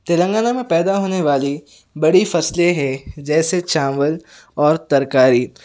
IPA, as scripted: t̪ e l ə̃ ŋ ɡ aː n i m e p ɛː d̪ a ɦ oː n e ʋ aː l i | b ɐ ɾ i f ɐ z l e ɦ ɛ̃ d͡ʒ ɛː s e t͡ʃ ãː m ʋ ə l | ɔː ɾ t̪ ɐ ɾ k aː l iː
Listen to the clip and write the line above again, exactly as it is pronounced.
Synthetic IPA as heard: t̪ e l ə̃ ŋ ɡ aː n a m ẽ p ɛː d̪ a ɦ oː n e ʋ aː l i | b ɐ ɽ i f ɐ s l e ɦ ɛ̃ d͡ʒ ɛː s e t͡ʃ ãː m ʋ ə l | ɔː ɾ t̪ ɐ ɾ k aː ɾ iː